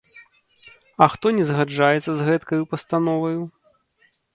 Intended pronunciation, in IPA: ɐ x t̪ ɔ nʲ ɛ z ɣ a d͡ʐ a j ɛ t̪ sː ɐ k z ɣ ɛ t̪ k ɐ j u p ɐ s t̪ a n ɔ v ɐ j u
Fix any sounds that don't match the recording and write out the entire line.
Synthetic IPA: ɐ x t̪ ɔ nʲ ɛ z ɣ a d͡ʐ a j ɛ t̪ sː ɐ z ɣ ɛ t̪ k ɐ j u p ɐ s t̪ a n ɔ v ɐ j u

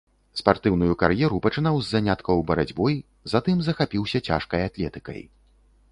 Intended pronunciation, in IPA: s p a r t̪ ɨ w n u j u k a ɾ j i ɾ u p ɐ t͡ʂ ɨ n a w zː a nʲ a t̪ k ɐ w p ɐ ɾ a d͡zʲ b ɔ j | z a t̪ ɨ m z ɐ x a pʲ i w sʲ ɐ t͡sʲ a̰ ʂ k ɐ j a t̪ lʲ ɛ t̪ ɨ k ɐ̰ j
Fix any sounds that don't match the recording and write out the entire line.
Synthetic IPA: s p a r t̪ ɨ w n u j u k a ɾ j ɛ ɾ u p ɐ t͡ʂ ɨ n a w zː a nʲ a t̪ k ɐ w b ɐ ɾ a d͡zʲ b ɔ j | z a t̪ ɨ m z ɐ x a pʲ i w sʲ ɐ t͡sʲ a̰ ʂ k ɐ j a t̪ lʲ ɛ t̪ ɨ k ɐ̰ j

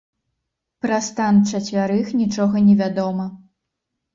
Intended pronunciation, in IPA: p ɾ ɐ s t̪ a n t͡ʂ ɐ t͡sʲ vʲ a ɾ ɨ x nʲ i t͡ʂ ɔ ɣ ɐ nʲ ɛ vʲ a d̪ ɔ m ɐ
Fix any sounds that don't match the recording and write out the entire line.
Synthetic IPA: p ɾ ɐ s t̪ a n t͡ʂ ɐ t͡sʲ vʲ a ɾ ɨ x nʲ i t͡ʂ ɔ ɣ ɐ nʲ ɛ vʲ a d̪ ɔ m ɐ

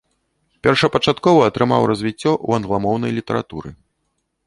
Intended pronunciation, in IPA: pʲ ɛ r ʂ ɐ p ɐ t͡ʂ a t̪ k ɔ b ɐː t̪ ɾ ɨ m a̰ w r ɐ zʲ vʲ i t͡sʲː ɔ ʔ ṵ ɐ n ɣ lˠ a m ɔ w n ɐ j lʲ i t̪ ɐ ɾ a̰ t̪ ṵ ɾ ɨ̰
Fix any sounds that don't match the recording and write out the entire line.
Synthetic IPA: pʲ ɛ r ʂ ɐ p ɐ t͡ʂ a t̪ k ɔ v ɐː t̪ ɾ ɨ m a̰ w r ɐ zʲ vʲ i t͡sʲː ɔ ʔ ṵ ɐ n ɣ lˠ a m ɔ w n ɐ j lʲ i t̪ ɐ ɾ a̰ t̪ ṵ ɾ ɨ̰

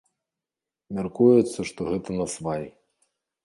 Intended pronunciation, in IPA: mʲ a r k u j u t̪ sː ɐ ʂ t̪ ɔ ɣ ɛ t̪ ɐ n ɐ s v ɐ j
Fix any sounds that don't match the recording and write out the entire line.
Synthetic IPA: mʲ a r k u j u t̪ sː ɐ ʂ t̪ ɔ ɣ ɛ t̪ ɐ n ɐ s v a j

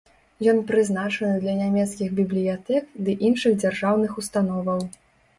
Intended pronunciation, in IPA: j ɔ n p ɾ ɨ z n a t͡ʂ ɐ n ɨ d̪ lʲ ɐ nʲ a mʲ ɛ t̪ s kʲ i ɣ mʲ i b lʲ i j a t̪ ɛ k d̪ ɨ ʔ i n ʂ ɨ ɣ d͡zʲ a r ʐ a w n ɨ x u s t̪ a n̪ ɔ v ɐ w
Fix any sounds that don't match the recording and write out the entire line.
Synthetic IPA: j ɔ n p ɾ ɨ z n a t͡ʂ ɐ n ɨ d̪ lʲ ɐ nʲ a mʲ ɛ t̪ s kʲ i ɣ bʲ i b lʲ i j a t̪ ɛ k d̪ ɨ ʔ i n ʂ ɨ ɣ d͡zʲ a r ʐ a w n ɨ x u s t̪ a n̪ ɔ v ɐ w

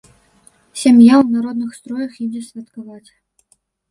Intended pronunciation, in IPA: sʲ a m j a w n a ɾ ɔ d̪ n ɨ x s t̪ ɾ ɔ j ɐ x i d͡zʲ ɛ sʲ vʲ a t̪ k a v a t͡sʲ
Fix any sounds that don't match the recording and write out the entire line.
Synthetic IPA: sʲ a m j a w n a ɾ ɔ d̪ n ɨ x s t̪ ɾ ɔ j ɐ x i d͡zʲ ɛ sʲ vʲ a t̪ k a v a t͡sʲ

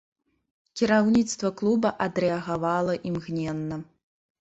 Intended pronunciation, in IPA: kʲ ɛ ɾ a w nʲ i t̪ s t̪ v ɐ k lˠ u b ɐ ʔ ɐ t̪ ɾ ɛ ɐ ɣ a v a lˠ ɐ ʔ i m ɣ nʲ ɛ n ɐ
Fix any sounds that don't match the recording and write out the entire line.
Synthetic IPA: kʲ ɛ ɾ a w nʲ i t̪ s t̪ v ɐ k lˠ u b ɐ ʔ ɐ d̪ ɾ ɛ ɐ ɣ a v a lˠ ɐ ʔ i m ɣ nʲ ɛ nː ɐ

